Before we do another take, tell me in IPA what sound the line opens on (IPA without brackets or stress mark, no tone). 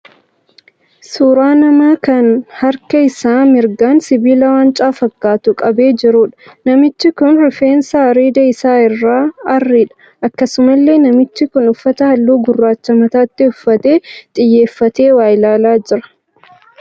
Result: s